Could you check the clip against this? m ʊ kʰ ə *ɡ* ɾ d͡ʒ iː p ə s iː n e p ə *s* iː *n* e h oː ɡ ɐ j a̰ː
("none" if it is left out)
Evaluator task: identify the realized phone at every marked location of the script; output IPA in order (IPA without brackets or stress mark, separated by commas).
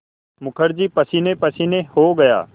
none, s, n